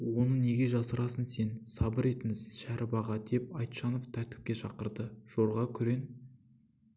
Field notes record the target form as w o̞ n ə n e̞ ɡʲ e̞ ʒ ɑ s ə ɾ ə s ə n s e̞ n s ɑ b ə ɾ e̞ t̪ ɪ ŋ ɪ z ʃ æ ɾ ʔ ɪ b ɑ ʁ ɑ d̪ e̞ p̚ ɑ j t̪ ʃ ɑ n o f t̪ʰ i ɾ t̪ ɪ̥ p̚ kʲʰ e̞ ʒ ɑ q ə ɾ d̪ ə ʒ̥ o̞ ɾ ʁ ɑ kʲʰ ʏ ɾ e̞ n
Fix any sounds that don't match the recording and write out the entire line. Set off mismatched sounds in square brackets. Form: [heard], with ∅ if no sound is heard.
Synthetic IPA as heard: w o̞ n ə n e̞ ɡʲ e̞ ʒ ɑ s ə ɾ [ɑ] s ə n s e̞ n s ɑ b ə ɾ e̞ t̪ ɪ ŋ ɪ z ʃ æ ɾ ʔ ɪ b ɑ ʁ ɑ d̪ e̞ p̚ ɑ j t̪ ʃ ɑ n o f t̪ʰ [æ] ɾ t̪ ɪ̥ p̚ [kʲ] e̞ [ʃ] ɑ q ə ɾ d̪ ə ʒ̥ o̞ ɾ ʁ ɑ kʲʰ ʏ ɾ e̞ n